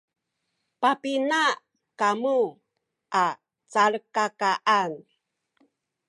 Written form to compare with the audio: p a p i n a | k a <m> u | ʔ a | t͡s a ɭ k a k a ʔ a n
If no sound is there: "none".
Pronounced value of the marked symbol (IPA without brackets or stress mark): m